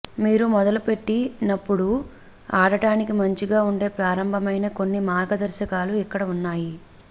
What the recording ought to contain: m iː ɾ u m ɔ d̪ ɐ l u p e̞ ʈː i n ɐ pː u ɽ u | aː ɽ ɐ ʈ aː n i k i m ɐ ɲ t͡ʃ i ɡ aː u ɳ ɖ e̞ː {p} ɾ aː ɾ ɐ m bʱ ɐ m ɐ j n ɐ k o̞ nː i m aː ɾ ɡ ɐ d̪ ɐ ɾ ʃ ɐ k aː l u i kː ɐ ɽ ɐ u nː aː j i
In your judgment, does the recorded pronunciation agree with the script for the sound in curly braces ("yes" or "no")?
yes